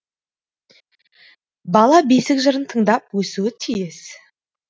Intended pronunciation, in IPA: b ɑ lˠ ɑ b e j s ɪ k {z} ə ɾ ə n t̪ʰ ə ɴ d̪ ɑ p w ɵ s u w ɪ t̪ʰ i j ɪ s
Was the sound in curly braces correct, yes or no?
no